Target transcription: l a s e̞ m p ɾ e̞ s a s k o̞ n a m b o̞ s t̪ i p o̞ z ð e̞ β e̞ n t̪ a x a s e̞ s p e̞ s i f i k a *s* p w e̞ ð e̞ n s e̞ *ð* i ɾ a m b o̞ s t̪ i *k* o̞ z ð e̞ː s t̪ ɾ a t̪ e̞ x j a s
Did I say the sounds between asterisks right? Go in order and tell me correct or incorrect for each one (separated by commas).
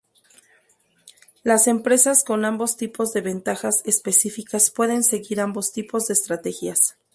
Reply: correct, incorrect, incorrect